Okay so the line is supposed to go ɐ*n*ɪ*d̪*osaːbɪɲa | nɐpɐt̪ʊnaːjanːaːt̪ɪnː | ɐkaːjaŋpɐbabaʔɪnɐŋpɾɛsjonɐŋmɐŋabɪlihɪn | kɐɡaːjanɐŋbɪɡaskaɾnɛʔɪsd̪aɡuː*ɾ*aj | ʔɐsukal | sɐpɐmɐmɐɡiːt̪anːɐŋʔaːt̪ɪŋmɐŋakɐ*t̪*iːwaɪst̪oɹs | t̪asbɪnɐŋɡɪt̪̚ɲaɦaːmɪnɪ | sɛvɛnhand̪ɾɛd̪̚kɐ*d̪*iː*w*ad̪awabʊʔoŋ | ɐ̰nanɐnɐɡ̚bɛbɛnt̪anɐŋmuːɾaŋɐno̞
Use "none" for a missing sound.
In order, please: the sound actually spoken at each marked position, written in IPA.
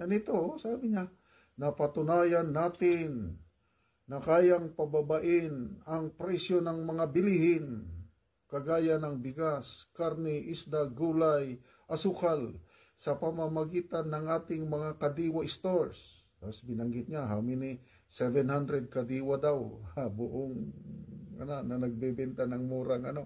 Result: n, t̪, l, d̪, d̪, w

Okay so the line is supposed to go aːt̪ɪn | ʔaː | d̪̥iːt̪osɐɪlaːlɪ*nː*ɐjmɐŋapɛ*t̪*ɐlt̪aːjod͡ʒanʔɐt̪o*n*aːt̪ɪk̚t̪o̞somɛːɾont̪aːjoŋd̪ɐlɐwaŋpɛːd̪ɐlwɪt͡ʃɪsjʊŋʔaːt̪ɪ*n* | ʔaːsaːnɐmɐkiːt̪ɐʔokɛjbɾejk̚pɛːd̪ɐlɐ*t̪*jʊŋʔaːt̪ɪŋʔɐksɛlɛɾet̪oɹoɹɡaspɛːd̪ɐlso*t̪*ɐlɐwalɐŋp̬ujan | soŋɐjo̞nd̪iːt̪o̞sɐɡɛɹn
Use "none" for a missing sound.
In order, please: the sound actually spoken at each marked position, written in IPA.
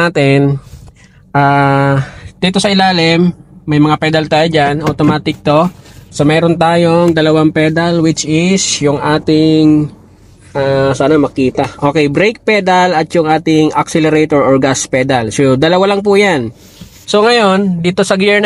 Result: mː, d̪, m, ŋ, t̪, d̪

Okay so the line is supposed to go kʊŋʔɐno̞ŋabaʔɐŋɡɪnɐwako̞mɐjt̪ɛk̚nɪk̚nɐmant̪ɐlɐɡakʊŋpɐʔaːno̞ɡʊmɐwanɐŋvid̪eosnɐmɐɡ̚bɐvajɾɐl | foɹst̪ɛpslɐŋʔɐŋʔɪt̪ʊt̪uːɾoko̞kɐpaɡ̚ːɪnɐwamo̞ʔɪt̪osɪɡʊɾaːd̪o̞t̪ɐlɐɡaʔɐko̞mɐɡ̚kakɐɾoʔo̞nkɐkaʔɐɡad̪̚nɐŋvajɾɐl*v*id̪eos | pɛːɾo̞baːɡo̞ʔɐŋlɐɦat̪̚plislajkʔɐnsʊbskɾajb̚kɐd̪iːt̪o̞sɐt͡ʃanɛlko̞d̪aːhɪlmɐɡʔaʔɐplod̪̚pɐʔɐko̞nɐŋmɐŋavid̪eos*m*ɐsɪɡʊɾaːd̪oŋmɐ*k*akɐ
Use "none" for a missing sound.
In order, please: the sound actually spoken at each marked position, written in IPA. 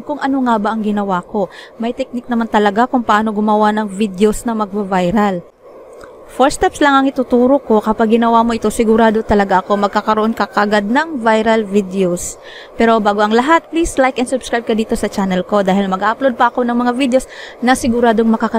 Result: v, n, k

